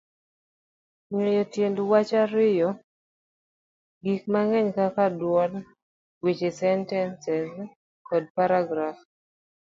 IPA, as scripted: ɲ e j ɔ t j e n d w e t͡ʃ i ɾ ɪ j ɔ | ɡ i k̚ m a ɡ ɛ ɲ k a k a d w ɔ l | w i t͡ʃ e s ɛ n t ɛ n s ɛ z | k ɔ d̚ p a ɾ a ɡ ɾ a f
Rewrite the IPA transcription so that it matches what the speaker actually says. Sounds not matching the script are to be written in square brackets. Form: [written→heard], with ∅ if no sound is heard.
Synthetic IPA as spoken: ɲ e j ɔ t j e n d w [e→a] t͡ʃ [i→a] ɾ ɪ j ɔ | ɡ i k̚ m a [ɡ→ŋ] ɛ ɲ k a k a d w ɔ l | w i t͡ʃ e s ɛ n t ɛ n s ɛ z | k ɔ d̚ p a ɾ a ɡ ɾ a f